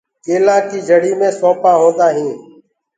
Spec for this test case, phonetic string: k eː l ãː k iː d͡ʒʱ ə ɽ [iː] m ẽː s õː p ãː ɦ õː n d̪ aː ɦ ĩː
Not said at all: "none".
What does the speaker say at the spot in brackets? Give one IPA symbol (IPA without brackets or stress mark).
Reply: iː